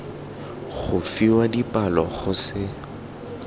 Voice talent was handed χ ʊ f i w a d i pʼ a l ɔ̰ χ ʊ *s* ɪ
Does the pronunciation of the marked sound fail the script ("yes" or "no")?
no